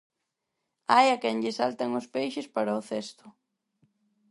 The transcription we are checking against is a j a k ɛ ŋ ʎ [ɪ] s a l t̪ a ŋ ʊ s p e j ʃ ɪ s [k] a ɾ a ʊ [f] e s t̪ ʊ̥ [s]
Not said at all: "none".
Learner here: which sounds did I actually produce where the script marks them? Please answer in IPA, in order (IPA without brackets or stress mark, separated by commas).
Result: ɪ, p, θ, none